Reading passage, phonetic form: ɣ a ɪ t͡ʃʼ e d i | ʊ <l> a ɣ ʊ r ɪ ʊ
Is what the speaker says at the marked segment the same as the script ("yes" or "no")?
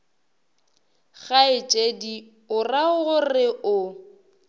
no